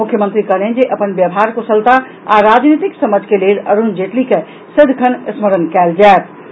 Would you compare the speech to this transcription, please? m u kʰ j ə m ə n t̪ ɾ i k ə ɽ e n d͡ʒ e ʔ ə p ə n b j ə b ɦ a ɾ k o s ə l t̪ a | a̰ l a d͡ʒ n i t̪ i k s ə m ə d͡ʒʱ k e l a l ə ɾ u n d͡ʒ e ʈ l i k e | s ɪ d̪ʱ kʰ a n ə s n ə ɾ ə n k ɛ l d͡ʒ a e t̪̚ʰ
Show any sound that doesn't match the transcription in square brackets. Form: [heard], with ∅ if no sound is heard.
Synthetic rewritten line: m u kʰ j ə m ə n t̪ ɾ i k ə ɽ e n d͡ʒ e ʔ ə p ə n b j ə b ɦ a ɾ k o s ə l t̪ a | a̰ [ɾ] a d͡ʒ n i t̪ i k s ə m ə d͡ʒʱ k e l [e] l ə ɾ u n d͡ʒ e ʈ l i k e | s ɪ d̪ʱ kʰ [ə] n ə s [m] ə ɾ ə n k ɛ l d͡ʒ a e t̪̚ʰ

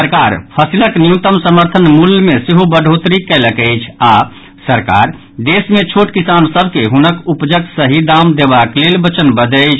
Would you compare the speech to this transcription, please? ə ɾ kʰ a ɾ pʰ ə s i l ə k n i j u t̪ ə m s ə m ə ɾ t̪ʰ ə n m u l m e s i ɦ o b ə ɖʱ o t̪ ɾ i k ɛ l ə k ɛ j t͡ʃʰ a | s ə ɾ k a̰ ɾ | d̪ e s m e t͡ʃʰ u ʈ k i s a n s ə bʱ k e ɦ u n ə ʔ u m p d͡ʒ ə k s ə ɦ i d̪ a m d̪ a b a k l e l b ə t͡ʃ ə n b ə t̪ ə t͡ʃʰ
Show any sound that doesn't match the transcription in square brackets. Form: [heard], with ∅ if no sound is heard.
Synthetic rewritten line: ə ɾ [k] a ɾ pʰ ə s i l ə k n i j u t̪ ə m s ə m ə ɾ t̪ʰ ə n m u l m e s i ɦ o b ə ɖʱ o t̪ ɾ i k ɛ l ə k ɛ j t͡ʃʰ a | s ə ɾ k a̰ ɾ | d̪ e s m e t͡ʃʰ [o] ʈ k i s a n s ə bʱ k e ɦ u n ə [k] u [∅] p d͡ʒ ə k s ə ɦ i d̪ a m d̪ [e] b a k l e l b ə t͡ʃ ə n b ə [d̪] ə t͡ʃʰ

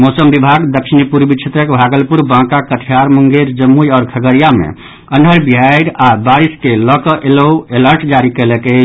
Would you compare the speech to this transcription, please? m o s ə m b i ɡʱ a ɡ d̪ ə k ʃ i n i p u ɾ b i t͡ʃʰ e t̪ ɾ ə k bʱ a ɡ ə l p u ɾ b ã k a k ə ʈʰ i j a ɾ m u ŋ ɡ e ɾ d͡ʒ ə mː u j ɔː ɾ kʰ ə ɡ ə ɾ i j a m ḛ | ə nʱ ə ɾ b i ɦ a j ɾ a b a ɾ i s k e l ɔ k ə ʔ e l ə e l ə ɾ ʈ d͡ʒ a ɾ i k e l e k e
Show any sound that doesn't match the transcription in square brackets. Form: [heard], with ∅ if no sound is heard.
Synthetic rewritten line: m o s ə m b i [bʱ] a ɡ d̪ ə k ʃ i n i p u ɾ b i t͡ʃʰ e t̪ ɾ ə k bʱ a ɡ ə l p u ɾ b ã k a k ə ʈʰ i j a ɾ m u ŋ ɡ e ɾ d͡ʒ ə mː u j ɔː ɾ kʰ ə ɡ ə ɾ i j a m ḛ | ə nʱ ə ɾ b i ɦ a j ɾ a b a ɾ i s k e l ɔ k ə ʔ e l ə e l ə ɾ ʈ d͡ʒ a ɾ i k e l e k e

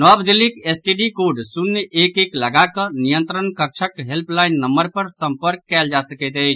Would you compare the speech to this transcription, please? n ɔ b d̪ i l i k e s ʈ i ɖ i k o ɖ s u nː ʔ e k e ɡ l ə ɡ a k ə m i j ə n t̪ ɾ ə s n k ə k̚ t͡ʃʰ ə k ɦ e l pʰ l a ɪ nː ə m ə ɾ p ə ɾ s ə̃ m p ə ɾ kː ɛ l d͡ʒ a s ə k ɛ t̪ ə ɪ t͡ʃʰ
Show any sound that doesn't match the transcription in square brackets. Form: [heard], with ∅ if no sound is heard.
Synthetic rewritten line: n ɔ b d̪ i l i k e s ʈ i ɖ i k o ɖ s u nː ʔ e k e [k] l ə ɡ a k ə [n] i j ə n t̪ ɾ ə [∅] n k ə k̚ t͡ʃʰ ə k ɦ e l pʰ l a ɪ nː ə m ə ɾ p ə ɾ s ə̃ m p ə ɾ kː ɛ l d͡ʒ a s ə k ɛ t̪ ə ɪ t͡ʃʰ

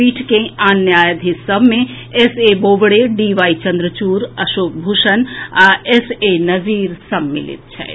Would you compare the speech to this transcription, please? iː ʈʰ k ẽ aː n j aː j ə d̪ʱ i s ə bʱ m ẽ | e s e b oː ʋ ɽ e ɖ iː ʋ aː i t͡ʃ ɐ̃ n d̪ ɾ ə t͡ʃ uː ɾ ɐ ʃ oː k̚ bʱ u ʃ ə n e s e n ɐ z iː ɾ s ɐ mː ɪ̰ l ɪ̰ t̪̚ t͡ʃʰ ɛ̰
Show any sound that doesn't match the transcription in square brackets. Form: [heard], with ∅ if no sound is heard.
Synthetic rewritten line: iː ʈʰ k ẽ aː n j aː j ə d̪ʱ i s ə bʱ m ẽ | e s e b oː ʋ ɽ e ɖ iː ʋ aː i t͡ʃ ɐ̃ n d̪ ɾ ə t͡ʃ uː ɾ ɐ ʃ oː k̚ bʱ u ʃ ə n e s e n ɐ z iː ɾ s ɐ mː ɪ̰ l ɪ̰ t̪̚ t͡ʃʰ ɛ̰

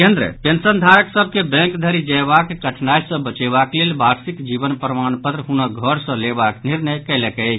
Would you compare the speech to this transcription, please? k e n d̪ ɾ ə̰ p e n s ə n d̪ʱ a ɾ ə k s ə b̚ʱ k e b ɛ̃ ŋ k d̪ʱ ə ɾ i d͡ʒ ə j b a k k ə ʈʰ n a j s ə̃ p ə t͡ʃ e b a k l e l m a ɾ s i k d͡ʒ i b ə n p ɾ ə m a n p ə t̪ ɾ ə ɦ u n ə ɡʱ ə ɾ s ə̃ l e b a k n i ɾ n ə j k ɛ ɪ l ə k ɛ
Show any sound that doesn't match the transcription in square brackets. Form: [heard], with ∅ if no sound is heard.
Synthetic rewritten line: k e n d̪ ɾ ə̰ p e n s ə n d̪ʱ a ɾ ə k s ə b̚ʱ k e b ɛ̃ ŋ k d̪ʱ ə ɾ i d͡ʒ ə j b a k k ə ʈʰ n a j s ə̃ [b] ə t͡ʃ e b a k l e l [b] a ɾ s i k d͡ʒ i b ə n p ɾ ə m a n p ə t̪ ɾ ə ɦ u n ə ɡʱ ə ɾ s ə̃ l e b a k n i ɾ n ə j k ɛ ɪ l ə k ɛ

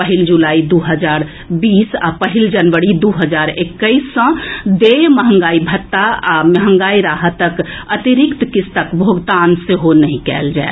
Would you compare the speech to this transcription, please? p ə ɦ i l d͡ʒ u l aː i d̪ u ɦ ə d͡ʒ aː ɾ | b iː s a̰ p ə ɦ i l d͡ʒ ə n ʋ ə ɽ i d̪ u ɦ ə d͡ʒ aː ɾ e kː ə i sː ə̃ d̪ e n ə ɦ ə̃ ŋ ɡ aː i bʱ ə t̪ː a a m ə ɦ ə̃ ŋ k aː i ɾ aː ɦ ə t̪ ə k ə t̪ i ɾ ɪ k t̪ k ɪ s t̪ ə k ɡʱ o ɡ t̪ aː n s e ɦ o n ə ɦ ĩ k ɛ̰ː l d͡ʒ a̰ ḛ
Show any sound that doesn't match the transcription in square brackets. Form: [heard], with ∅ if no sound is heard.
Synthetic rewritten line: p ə ɦ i l d͡ʒ u l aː i d̪ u ɦ ə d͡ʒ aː ɾ | b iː s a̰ p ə ɦ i l d͡ʒ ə n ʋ ə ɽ i d̪ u ɦ ə d͡ʒ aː ɾ e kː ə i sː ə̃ d̪ e [m] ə ɦ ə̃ ŋ ɡ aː i bʱ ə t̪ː a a m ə ɦ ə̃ ŋ [ɡ] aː i ɾ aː ɦ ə t̪ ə k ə t̪ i ɾ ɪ k t̪ k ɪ s t̪ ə k [bʱ] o ɡ t̪ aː n s e ɦ o n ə ɦ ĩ k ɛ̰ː l d͡ʒ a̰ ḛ

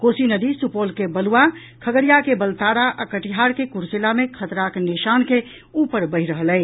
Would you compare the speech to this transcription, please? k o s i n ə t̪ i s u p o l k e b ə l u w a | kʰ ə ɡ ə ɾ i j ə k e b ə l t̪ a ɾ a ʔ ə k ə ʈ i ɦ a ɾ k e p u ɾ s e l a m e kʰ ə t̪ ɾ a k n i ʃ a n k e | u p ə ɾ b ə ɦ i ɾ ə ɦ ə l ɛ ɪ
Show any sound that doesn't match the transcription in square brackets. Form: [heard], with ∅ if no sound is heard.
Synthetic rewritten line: k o s i n ə [d̪] i s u p o l k e b ə l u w a | kʰ ə ɡ ə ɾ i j [a] k e b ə l t̪ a ɾ a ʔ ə k ə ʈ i ɦ a ɾ k e [k] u ɾ s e l a m e kʰ ə t̪ ɾ a k n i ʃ a n k e | u p ə ɾ b ə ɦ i ɾ ə ɦ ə l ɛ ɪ

